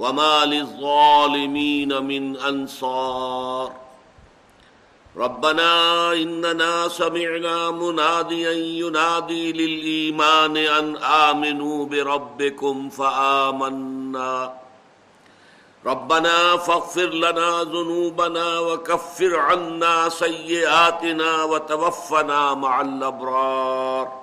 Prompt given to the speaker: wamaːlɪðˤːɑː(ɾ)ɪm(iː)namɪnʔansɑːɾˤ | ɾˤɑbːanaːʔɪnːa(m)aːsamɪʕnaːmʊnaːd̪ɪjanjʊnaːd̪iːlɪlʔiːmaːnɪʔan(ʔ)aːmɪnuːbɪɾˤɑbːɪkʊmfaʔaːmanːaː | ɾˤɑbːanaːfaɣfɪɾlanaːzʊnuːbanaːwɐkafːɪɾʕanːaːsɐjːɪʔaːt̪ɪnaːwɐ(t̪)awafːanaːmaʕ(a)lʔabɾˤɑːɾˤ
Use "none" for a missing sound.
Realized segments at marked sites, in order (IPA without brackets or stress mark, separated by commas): l, iː, n, ʔ, t̪, a